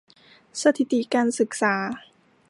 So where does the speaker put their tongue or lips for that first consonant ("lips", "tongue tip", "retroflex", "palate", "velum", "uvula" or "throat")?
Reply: tongue tip